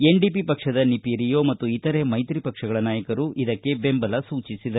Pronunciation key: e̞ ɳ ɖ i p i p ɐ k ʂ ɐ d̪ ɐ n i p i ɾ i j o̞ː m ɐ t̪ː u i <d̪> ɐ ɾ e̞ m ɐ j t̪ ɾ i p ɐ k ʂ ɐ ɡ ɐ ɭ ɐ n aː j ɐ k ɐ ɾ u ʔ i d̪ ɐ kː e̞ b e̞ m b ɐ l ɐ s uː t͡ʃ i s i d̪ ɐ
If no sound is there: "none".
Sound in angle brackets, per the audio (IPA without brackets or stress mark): t̪